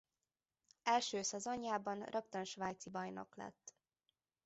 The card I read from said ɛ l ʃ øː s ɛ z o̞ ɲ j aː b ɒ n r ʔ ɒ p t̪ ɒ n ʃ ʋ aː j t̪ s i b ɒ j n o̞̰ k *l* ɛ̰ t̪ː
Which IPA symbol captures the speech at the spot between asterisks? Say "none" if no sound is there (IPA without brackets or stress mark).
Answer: l